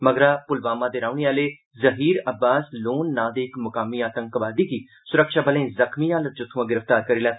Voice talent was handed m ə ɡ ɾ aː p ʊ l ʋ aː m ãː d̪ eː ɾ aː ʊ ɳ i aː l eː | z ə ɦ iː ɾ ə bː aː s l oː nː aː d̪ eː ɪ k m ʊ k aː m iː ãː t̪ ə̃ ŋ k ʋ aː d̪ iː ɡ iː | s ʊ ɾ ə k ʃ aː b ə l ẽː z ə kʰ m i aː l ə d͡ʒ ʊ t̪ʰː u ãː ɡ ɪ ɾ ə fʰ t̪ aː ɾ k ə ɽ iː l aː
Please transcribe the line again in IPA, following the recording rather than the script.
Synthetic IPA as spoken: m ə ɡ ɾ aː p ʊ l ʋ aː m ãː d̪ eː ɾ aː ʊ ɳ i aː l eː | z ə ɦ iː ɾ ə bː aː s l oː nː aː d̪ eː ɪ k m ʊ k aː m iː aː t̪ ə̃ ŋ k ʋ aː d̪ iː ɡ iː | s ʊ ɾ ə k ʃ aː b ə l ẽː z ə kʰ m i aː l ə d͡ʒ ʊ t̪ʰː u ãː ɡ ɪ ɾ ə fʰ t̪ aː ɾ k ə ɾ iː l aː